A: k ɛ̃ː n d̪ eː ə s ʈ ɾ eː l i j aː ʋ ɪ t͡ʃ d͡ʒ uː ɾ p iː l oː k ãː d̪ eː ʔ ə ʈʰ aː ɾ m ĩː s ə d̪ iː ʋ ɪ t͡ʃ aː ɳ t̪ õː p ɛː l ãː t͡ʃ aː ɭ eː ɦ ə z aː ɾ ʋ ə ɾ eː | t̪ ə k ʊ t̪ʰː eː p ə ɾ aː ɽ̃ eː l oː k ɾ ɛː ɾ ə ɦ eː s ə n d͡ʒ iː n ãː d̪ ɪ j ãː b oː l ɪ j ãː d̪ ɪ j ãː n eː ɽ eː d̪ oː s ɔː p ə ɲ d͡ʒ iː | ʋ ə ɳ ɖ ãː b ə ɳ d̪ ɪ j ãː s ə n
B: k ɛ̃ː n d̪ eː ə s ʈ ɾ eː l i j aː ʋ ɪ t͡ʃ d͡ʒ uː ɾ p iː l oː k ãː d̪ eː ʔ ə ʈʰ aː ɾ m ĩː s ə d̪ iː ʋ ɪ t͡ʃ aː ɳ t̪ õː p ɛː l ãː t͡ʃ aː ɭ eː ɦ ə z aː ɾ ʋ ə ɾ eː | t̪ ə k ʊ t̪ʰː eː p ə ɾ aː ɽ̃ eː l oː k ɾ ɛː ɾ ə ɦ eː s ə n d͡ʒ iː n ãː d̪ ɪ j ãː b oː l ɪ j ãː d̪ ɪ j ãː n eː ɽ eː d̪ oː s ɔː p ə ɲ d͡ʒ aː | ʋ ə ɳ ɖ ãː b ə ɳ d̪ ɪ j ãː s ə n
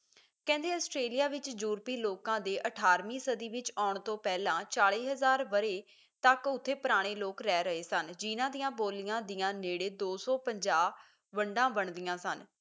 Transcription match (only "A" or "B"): B